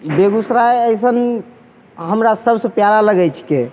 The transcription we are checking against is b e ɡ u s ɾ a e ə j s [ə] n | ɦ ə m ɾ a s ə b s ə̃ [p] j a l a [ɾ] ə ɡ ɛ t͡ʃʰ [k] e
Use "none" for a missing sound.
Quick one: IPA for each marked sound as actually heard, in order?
ə, p, l, k

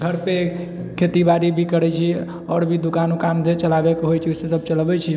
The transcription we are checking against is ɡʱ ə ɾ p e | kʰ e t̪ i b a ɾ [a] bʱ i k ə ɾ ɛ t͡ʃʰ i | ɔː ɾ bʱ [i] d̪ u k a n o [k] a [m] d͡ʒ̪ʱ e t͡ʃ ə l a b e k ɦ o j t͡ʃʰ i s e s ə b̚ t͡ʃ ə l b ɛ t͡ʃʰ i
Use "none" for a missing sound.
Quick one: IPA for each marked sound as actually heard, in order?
i, i, k, m

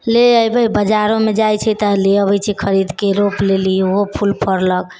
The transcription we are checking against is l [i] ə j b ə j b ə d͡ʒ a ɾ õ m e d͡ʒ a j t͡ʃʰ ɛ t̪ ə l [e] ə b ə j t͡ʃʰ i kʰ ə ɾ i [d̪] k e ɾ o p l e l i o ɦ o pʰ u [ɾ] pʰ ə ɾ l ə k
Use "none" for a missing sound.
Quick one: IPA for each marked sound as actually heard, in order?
e, e, d̪, l

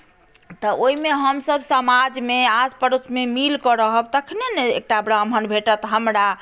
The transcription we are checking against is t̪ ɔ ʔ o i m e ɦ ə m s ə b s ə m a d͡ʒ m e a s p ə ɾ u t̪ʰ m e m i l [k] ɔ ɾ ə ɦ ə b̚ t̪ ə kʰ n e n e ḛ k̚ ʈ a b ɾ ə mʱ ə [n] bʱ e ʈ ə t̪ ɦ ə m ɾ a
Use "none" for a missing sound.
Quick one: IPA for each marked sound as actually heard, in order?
k, n

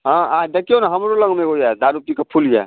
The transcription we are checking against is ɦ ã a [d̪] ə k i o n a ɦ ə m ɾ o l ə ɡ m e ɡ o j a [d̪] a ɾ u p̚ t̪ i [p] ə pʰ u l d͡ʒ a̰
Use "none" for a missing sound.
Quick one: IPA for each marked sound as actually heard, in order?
d̪, d̪, k

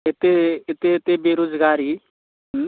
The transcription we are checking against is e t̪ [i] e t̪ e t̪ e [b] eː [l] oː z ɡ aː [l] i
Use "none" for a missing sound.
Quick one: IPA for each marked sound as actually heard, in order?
e, b, ɾ, ɾ

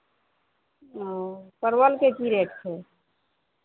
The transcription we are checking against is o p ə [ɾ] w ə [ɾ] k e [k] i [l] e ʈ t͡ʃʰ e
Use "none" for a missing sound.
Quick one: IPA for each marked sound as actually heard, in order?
ɾ, l, k, ɾ

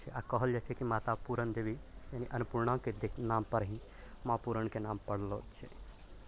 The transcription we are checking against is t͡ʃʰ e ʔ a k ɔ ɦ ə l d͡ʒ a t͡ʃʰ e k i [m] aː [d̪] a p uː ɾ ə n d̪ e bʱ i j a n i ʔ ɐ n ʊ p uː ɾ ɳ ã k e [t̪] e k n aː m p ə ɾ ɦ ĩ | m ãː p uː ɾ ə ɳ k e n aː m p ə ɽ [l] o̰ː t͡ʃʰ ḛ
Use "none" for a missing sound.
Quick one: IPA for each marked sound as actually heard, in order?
m, t̪, d̪, l

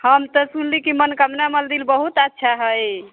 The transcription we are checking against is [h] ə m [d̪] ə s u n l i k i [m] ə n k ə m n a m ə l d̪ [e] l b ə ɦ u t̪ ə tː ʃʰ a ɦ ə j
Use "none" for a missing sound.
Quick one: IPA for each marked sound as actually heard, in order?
h, t̪, m, i

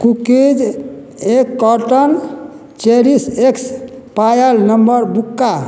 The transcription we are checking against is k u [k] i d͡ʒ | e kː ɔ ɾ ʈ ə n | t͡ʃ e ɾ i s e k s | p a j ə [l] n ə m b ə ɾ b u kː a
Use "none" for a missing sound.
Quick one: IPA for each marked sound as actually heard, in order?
k, l

